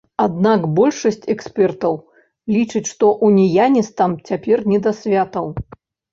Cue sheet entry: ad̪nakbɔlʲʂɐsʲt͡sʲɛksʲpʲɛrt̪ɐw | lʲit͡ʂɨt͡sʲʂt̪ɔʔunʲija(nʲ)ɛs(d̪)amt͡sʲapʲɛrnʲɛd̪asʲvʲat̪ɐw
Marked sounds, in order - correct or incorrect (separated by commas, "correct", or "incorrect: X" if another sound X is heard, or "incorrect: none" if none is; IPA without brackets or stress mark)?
correct, incorrect: t̪